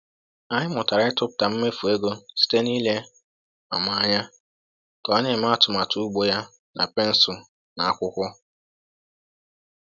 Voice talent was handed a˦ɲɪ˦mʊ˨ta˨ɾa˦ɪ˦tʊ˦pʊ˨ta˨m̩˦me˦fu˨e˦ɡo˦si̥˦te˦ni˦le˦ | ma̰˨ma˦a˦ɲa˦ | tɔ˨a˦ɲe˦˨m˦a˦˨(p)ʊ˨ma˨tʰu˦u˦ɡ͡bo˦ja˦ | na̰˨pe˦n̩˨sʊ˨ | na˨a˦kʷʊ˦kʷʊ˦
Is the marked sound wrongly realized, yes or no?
yes